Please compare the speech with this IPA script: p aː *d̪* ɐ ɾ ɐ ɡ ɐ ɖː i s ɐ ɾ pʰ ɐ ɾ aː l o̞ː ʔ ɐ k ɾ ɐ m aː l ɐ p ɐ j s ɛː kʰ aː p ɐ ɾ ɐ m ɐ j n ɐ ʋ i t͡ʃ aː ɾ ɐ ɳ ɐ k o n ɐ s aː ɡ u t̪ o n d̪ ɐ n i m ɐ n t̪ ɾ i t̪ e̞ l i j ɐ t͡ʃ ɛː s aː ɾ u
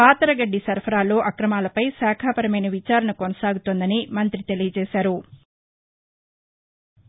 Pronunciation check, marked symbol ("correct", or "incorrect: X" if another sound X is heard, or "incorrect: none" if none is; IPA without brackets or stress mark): incorrect: t̪